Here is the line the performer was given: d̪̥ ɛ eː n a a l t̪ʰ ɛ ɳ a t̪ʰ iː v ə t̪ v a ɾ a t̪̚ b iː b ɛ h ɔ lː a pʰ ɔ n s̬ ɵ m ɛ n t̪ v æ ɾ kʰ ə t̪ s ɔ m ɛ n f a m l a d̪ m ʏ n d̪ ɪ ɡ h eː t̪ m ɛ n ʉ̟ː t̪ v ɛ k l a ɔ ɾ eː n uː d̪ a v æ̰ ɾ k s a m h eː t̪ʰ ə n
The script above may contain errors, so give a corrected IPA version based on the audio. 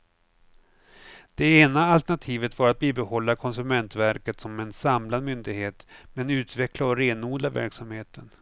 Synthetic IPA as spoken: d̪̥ ɛ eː n a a l t̪ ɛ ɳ a t̪ʰ iː v ə t̪ v a ɾ a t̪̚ b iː b ɛ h ɔ lː a kʰ ɔ n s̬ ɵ m ɛ n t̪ v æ ɾ k ə t̪ s ɔ m ɛ n s a m l a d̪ m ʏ n d̪ ɪ ɡ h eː t̪ m ɛ n ʉ̟ː t̪ v ɛ k l a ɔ ɾ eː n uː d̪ a v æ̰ ɾ k s a m h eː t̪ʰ ə n